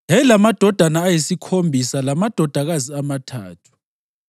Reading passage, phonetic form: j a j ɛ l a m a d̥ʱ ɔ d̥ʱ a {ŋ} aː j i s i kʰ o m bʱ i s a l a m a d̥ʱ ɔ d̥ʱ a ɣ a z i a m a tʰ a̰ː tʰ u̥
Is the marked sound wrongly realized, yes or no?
yes